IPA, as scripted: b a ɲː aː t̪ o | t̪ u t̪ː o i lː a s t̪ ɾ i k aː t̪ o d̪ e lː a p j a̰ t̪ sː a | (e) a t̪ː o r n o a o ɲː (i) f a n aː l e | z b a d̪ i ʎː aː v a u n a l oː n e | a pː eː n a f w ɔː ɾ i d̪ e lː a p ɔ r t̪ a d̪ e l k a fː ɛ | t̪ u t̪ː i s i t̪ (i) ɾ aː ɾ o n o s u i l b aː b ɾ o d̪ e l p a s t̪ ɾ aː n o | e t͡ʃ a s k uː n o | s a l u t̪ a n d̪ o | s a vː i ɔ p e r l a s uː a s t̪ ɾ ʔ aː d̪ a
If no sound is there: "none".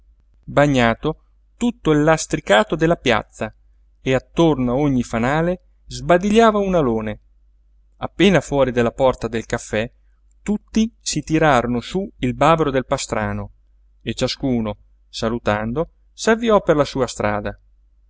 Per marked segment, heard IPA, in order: e, i, i

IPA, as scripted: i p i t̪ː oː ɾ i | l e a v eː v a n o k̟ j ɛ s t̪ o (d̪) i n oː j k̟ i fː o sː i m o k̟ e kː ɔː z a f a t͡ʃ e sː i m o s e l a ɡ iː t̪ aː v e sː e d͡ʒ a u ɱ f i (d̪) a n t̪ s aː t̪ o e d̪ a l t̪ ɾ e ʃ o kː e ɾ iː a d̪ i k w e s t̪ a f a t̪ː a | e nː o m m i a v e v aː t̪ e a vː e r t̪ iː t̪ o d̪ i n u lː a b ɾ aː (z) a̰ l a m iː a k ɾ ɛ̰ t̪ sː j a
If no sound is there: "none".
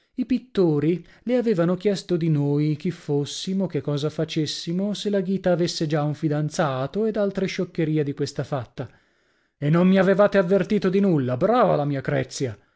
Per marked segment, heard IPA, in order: d̪, d̪, v

